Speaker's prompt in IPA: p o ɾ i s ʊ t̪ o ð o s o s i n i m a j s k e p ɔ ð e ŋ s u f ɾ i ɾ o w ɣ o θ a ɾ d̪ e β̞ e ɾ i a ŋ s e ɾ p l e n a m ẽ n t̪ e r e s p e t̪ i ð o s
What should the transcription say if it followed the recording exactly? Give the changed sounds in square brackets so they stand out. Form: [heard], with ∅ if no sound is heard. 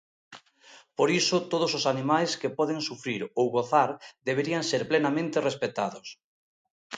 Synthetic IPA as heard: p o ɾ i s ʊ t̪ o ð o s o s [a] n i m a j s k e p ɔ ð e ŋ s u f ɾ i ɾ o w ɣ o θ a ɾ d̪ e β̞ e ɾ i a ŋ s e ɾ p l e n a m ẽ n t̪ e r e s p e t̪ [a] ð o s